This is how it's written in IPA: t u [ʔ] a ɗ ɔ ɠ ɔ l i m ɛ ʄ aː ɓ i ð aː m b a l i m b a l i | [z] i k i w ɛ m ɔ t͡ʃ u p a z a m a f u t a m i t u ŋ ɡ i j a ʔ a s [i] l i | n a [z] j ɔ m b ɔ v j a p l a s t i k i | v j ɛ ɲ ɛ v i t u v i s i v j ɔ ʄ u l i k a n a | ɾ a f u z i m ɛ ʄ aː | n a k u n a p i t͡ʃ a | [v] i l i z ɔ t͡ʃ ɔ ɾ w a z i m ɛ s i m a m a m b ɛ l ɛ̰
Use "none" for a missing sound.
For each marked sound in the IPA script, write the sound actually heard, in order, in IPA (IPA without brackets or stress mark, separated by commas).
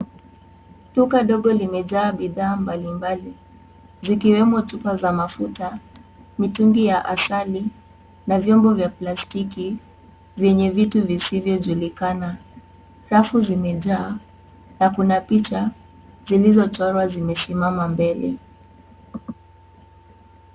k, z, a, v, z